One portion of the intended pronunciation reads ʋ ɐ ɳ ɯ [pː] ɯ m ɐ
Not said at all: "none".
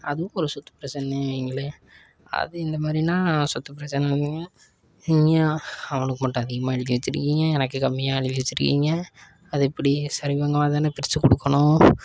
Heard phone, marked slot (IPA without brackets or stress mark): kː